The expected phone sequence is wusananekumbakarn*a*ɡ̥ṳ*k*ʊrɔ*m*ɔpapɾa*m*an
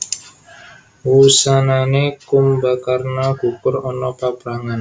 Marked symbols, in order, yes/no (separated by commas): yes, yes, no, no